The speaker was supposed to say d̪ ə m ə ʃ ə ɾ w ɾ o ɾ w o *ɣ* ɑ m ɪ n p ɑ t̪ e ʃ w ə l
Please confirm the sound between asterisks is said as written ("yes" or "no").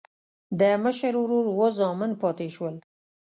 no